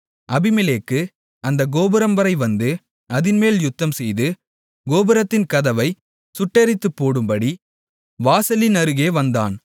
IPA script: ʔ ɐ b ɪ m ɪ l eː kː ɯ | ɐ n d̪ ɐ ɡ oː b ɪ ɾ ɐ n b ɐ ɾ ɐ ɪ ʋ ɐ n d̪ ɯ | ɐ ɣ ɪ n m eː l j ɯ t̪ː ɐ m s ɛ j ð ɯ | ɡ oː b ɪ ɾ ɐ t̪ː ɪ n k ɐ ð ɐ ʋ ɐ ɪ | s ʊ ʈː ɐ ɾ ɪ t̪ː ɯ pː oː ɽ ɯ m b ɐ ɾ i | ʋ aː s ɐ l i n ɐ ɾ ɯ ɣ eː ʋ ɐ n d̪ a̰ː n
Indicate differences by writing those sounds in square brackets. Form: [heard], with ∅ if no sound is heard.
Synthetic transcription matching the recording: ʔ ɐ b ɪ m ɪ l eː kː ɯ | ɐ n d̪ ɐ ɡ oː b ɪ ɾ ɐ [m] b ɐ ɾ ɐ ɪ ʋ ɐ n d̪ ɯ | ɐ [ð] ɪ n m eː l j [ʊ] t̪ː ɐ m s ɛ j ð ɯ | ɡ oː b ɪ ɾ ɐ t̪ː ɪ n k ɐ ð ɐ ʋ ɐ ɪ | s ʊ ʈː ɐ ɾ ɪ t̪ː ɯ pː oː ɽ ɯ m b ɐ [ɽ] i | ʋ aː s ɐ l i n ɐ ɾ ɯ ɣ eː ʋ ɐ n d̪ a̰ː n